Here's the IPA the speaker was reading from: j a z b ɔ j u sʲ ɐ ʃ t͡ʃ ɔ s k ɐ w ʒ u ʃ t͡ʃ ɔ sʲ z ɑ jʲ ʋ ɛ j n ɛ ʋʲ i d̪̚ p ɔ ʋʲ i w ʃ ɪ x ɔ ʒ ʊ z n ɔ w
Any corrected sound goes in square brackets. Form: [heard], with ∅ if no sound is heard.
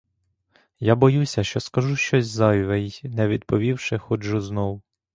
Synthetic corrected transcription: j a [∅] b ɔ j u sʲ ɐ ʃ t͡ʃ ɔ s k ɐ [∅] ʒ u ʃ t͡ʃ ɔ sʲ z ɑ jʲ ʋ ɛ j n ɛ ʋʲ i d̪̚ p ɔ ʋʲ i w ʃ ɪ x ɔ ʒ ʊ z n ɔ w